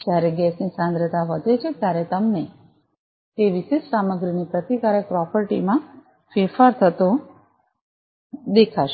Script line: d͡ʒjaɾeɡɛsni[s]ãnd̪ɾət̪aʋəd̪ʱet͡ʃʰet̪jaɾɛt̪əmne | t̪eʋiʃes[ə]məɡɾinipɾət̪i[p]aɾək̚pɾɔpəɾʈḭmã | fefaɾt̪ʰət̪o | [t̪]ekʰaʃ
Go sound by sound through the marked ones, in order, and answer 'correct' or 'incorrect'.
correct, incorrect: a, incorrect: k, incorrect: d̪

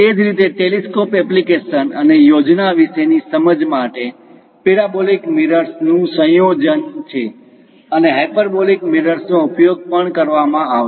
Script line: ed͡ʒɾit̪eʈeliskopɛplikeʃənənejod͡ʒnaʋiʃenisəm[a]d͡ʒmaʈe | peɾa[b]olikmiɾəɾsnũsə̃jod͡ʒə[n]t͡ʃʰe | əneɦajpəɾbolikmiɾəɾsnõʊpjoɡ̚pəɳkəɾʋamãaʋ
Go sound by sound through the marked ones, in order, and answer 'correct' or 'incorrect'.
incorrect: ə, correct, correct

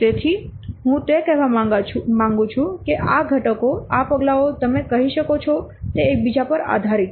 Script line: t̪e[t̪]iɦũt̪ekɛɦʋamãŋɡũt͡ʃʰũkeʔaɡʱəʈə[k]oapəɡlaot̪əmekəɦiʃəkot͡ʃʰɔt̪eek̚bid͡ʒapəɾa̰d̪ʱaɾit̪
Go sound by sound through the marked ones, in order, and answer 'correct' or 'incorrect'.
incorrect: t̪ʰ, correct

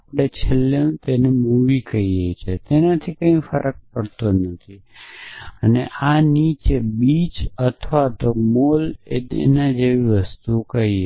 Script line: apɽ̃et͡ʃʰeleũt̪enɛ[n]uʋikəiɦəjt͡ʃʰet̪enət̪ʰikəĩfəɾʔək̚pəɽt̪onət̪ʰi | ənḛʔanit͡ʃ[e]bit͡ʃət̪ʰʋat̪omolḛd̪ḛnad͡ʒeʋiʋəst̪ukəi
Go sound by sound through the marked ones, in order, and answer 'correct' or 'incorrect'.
incorrect: m, correct

